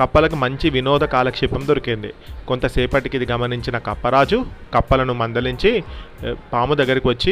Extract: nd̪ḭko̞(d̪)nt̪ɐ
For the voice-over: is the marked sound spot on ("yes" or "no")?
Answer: no